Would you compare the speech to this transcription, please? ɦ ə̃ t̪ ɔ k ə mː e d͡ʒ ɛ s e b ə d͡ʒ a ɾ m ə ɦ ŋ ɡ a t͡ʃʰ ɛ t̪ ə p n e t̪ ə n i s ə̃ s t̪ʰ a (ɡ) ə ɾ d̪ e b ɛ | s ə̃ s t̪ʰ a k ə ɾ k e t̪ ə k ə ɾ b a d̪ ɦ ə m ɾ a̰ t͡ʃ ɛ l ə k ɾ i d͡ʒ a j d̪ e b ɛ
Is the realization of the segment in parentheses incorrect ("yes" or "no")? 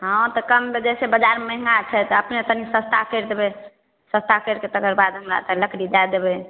yes